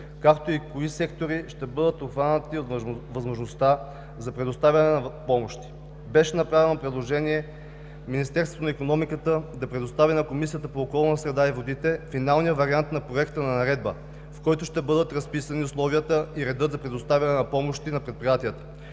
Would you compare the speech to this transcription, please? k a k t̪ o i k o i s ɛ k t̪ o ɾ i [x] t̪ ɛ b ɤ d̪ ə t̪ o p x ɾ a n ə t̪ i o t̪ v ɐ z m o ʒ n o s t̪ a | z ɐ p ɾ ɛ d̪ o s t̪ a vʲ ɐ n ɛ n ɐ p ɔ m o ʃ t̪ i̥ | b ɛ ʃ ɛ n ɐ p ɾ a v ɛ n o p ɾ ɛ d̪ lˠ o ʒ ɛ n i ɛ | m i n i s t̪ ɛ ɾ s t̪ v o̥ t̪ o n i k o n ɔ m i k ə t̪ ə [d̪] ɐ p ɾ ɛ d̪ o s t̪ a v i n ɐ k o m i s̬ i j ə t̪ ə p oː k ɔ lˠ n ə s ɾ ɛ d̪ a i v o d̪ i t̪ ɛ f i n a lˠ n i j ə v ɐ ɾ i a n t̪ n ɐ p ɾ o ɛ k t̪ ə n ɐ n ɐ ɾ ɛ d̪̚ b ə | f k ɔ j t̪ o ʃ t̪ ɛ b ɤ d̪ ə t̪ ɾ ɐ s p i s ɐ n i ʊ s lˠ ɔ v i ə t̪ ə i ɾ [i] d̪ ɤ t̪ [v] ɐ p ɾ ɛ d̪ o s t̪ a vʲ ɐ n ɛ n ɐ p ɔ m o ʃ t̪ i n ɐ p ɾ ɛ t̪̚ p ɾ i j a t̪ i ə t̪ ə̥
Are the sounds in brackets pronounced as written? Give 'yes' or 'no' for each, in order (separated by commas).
no, yes, no, no